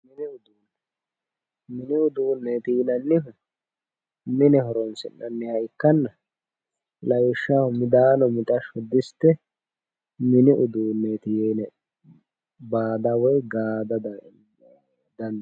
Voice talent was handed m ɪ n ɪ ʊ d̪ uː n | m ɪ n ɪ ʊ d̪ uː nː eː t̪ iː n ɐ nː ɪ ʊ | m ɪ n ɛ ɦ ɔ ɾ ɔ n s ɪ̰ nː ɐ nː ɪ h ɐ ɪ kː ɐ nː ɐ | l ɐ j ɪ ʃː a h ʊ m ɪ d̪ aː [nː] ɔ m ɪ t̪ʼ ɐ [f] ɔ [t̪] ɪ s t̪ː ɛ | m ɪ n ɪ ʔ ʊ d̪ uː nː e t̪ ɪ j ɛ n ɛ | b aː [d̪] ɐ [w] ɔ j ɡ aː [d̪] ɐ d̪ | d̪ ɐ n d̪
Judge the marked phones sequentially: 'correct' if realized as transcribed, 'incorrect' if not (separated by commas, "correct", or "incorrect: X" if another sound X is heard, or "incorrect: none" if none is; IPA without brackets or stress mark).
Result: incorrect: n, incorrect: ʃ, incorrect: d̪, correct, correct, correct